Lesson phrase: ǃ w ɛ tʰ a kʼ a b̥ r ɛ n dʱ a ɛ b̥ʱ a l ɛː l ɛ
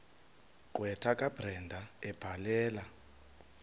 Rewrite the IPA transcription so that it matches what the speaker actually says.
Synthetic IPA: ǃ w ɛ tʰ a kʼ a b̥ r ɛ n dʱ a ɛ b̥ʱ a l ɛː l a